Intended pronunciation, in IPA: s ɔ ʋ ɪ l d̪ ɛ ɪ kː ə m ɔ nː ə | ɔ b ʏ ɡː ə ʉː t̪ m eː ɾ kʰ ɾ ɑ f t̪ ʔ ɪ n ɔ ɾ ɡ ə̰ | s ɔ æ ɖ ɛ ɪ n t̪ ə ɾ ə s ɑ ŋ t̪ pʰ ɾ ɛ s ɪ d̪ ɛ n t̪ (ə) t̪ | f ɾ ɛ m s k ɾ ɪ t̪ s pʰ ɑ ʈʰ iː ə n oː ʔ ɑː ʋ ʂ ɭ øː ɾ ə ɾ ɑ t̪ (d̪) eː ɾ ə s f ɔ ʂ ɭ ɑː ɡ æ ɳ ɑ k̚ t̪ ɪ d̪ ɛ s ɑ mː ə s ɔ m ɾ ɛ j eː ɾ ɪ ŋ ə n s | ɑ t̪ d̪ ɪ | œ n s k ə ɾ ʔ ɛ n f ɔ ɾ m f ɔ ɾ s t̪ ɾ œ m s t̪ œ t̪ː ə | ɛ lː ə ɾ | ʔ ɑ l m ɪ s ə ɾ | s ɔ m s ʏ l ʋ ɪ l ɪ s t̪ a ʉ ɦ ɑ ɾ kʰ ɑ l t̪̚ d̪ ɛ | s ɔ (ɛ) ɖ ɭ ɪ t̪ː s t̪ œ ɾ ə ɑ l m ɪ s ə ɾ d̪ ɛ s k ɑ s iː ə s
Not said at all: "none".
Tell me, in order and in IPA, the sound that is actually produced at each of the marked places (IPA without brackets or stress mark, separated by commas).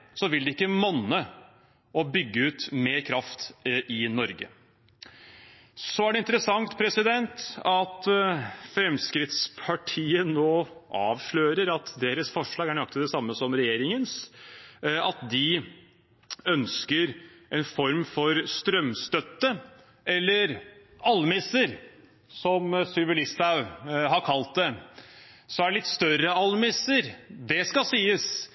ɑ, d̪, æ